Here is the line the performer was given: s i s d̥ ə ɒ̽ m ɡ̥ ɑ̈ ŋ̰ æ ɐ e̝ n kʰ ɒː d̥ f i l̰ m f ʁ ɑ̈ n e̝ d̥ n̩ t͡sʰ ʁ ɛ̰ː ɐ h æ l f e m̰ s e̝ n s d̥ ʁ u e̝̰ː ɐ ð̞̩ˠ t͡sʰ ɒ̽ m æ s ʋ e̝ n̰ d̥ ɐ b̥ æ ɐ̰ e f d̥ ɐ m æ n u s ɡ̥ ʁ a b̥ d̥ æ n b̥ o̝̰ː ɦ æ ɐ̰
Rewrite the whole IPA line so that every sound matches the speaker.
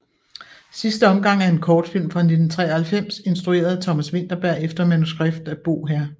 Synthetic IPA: s i s d̥ ə ɒ̽ m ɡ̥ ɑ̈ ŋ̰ æ ɐ e̝ n kʰ ɒː d̥ f i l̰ m f ʁ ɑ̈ n e̝ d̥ n̩ t͡sʰ ʁ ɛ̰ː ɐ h æ l f e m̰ s e̝ n s d̥ ʁ u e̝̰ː ɐ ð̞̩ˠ t͡sʰ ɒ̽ m æ s ʋ e̝ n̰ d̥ ɐ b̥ æ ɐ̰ e f d̥ ɐ m æ n u s ɡ̥ ʁ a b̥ d̥ æ b̥ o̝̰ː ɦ æ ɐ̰